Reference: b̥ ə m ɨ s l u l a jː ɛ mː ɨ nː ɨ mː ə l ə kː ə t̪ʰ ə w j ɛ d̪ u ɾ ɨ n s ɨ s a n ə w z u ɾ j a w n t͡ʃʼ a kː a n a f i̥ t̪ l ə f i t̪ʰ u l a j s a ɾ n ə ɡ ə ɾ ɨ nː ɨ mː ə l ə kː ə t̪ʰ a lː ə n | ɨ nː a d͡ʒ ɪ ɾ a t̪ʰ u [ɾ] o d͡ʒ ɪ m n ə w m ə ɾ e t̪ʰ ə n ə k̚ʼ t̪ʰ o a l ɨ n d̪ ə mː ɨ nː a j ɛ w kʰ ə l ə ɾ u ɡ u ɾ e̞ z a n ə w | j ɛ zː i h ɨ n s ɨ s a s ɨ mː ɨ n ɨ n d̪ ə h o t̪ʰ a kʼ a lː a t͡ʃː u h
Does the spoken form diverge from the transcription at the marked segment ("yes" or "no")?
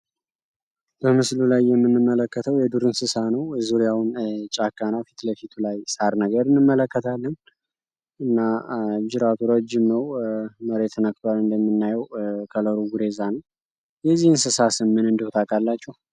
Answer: no